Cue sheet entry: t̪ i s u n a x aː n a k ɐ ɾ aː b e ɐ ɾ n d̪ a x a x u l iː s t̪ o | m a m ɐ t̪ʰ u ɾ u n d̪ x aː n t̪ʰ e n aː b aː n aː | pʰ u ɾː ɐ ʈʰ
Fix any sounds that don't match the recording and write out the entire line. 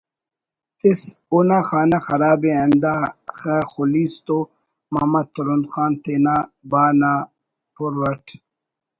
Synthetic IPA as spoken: t̪ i s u n a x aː n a x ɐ ɾ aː b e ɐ n d̪ a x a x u l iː s t̪ o | m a m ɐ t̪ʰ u ɾ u n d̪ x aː n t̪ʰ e n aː b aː n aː | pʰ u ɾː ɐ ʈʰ